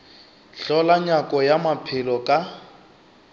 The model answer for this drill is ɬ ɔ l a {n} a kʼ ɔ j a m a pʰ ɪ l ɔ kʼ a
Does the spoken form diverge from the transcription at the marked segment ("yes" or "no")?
yes